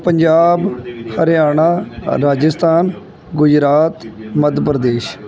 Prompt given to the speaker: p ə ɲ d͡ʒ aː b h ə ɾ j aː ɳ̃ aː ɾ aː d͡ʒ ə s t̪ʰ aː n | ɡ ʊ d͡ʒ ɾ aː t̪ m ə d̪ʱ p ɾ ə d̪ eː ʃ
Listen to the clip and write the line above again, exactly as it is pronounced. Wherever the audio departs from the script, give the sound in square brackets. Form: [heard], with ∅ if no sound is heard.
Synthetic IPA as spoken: p ə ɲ d͡ʒ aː b h ə ɾ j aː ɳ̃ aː ɾ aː d͡ʒ ə s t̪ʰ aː n | ɡ ʊ d͡ʒ ɾ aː t̪ m ə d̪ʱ p ɾ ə d̪ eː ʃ